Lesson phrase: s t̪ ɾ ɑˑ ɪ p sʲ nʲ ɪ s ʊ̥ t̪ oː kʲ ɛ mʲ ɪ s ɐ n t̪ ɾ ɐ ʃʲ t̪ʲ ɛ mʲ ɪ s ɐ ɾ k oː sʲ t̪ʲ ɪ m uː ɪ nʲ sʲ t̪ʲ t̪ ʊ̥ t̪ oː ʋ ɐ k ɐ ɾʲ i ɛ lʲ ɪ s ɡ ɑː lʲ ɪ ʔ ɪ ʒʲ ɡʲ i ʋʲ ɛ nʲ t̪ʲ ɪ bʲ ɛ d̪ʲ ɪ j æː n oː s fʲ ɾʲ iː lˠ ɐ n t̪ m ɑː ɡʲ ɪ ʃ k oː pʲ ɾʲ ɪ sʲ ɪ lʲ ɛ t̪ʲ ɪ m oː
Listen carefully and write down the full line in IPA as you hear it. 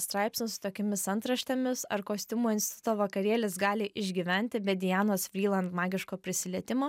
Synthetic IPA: s t̪ ɾ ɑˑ ɪ p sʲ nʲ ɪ s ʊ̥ t̪ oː kʲ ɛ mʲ ɪ s ɐ n t̪ ɾ ɐ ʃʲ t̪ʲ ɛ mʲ ɪ s ɐ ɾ k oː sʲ t̪ʲ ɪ m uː ɪ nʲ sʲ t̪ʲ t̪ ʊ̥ t̪ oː ʋ ɐ k ɐ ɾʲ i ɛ lʲ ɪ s ɡ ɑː lʲ ɪ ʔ ɪ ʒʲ ɡʲ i ʋʲ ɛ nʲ t̪ʲ ɪ bʲ ɛ d̪ʲ ɪ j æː n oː s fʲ ɾʲ iː lˠ ɐ n t̪ m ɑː ɡʲ ɪ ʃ k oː pʲ ɾʲ ɪ sʲ ɪ lʲ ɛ t̪ʲ ɪ m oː